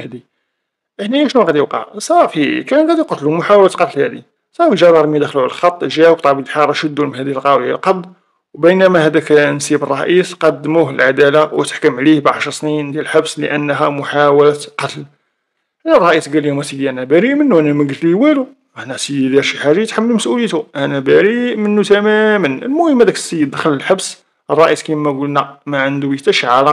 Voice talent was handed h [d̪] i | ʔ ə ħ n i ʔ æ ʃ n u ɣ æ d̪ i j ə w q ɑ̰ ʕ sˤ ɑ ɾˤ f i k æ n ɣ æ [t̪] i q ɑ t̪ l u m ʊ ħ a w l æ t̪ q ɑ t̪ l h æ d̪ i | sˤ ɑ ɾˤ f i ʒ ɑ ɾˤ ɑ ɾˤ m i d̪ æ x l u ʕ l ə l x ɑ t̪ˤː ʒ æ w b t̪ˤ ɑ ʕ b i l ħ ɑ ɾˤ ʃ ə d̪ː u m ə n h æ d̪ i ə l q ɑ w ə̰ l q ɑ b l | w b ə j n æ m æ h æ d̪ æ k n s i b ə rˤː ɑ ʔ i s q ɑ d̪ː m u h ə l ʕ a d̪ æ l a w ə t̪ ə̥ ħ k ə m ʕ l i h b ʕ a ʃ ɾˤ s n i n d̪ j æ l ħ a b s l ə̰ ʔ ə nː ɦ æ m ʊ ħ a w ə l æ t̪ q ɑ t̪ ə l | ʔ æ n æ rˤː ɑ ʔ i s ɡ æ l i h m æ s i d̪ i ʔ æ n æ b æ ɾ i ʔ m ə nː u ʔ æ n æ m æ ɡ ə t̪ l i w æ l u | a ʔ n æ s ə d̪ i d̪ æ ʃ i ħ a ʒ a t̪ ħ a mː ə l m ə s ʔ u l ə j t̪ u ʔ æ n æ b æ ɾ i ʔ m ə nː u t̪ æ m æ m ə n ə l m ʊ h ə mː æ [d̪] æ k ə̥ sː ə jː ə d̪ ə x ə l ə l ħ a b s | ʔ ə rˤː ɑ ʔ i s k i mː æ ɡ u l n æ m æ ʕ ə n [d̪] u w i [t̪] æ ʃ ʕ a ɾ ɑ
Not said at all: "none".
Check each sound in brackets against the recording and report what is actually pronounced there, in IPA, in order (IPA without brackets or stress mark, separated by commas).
d̪, d̪, d̪, d̪, t̪